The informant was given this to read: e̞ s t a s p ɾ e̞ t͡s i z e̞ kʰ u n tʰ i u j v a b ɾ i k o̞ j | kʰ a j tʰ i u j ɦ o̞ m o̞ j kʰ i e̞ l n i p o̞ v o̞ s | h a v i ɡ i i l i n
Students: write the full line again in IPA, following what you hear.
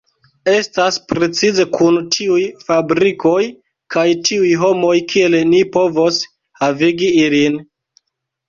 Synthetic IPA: e̞ s t a s p ɾ e̞ t͡s i z e̞ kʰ u n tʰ i u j f a b ɾ i k o̞ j | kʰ a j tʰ i u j ɦ o̞ m o̞ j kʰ i e̞ l n i p o̞ v o̞ s | h a v i ɡ i i l i n